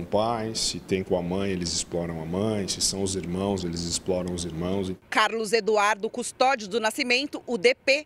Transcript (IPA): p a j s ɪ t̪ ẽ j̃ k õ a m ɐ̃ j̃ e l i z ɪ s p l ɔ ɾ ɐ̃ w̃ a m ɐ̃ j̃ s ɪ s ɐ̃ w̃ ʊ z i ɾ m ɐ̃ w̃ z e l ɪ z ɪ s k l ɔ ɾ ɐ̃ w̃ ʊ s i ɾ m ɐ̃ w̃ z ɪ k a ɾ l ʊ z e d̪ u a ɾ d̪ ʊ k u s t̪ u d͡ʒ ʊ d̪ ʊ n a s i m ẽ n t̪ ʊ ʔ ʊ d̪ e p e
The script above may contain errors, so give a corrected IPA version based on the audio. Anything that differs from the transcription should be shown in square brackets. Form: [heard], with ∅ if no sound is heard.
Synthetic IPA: p a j s ɪ t̪ ẽ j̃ k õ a m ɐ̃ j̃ e l [ɪ] z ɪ s p l ɔ ɾ ɐ̃ w̃ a m ɐ̃ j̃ s ɪ s ɐ̃ w̃ ʊ z i ɾ m ɐ̃ w̃ z e l ɪ z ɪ s [p] l ɔ ɾ ɐ̃ w̃ ʊ [z] i ɾ m ɐ̃ w̃ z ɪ k a ɾ l ʊ z e d̪ u a ɾ d̪ ʊ k u s t̪ [ɔ] d͡ʒ ʊ d̪ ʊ n a s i m ẽ n t̪ ʊ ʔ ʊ d̪ e p e